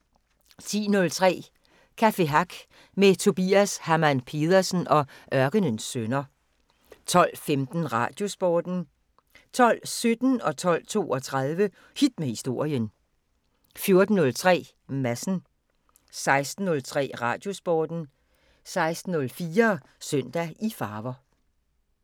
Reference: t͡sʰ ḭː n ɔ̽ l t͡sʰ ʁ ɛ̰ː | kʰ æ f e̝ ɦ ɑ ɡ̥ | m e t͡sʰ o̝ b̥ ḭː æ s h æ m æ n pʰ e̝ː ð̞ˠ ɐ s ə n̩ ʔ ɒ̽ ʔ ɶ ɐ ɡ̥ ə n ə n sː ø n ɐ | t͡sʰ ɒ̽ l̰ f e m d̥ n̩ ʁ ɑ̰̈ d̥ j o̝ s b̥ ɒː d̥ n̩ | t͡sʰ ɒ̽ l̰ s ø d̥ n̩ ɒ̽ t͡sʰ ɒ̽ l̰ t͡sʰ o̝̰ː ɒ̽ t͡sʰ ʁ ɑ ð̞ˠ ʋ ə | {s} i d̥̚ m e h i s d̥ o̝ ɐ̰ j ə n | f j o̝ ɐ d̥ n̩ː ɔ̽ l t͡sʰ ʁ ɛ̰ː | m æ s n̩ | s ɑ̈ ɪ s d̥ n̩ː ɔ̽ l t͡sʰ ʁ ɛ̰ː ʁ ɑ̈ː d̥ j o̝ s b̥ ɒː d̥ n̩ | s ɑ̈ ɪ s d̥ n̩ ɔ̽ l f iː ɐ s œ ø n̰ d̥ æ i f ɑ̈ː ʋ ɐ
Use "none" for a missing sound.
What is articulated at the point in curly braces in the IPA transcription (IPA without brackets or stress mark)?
h